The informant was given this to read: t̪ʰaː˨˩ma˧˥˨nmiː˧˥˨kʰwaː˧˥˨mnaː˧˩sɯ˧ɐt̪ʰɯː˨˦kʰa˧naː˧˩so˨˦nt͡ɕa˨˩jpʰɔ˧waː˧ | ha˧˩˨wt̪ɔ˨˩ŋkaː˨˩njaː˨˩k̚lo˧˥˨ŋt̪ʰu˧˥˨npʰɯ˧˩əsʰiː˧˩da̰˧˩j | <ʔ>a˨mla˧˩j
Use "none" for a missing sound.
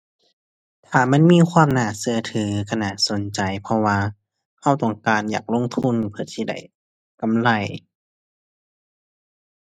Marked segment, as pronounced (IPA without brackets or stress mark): k